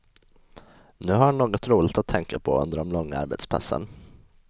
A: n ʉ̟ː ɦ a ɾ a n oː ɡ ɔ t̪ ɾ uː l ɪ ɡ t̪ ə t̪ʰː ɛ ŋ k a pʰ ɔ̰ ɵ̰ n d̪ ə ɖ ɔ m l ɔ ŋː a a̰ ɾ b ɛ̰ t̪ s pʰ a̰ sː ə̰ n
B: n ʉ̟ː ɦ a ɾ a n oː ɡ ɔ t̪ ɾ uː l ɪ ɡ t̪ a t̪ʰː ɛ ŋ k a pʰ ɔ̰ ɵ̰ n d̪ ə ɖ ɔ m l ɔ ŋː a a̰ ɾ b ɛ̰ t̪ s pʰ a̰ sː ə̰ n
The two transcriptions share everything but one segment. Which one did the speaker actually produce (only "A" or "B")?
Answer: B